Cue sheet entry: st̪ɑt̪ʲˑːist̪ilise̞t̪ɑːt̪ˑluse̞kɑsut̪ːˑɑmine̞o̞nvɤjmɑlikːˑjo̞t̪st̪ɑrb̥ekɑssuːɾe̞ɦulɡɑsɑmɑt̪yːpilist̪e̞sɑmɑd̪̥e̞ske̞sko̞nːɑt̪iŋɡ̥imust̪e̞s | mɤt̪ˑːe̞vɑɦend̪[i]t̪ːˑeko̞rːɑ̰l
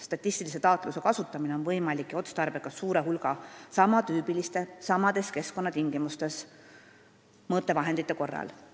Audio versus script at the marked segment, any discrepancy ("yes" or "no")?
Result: no